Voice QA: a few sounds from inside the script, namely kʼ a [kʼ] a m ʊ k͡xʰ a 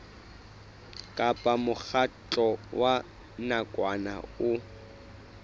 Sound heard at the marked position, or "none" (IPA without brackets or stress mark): pʼ